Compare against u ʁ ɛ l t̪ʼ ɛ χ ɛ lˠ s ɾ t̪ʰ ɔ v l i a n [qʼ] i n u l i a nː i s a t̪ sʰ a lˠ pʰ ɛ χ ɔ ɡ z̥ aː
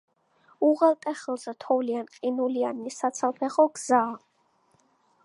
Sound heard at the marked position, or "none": qʼ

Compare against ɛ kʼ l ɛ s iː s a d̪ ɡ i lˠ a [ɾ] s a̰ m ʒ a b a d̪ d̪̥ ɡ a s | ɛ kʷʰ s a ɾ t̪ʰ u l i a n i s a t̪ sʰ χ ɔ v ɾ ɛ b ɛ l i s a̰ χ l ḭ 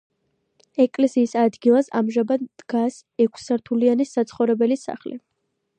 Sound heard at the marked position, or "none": none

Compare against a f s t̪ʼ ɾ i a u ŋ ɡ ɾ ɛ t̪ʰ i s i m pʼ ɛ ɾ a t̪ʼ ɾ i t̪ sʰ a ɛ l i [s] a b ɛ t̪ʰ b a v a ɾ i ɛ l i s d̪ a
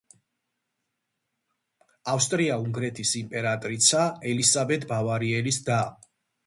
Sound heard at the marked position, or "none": s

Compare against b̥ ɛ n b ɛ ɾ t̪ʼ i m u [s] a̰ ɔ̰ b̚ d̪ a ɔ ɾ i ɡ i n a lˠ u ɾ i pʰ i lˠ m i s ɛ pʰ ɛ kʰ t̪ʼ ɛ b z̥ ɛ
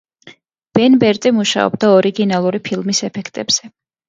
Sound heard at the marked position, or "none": ʃ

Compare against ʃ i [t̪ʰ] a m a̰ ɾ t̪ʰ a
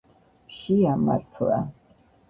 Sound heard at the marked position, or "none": none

